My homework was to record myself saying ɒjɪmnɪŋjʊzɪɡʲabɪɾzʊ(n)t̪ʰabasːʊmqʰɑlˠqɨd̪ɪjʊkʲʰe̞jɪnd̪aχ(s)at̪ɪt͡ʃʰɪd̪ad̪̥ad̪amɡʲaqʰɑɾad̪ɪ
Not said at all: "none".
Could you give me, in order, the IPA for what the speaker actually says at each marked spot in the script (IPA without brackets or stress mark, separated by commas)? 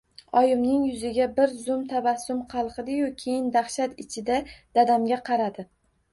m, ʃ